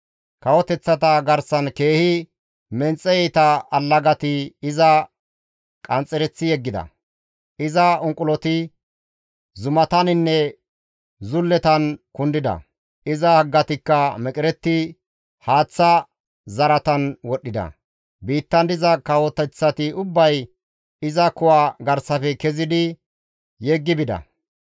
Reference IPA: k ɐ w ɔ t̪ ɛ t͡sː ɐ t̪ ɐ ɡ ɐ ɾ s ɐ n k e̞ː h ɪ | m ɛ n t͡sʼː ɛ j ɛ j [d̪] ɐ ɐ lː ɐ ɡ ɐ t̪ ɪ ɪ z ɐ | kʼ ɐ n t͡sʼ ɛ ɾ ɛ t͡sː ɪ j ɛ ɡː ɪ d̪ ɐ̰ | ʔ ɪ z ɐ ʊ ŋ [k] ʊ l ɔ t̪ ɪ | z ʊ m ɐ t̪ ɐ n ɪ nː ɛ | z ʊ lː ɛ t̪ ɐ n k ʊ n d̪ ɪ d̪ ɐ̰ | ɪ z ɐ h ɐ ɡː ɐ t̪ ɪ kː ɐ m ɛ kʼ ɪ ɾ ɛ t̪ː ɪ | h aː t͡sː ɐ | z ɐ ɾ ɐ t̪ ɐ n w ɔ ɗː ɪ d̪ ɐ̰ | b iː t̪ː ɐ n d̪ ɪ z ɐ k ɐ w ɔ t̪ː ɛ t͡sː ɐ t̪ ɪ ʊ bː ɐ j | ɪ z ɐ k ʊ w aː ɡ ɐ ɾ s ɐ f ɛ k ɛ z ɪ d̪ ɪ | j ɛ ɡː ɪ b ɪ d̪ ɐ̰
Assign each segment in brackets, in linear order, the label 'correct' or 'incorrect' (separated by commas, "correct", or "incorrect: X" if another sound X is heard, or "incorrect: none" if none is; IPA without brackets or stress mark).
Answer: incorrect: t̪, incorrect: kʼ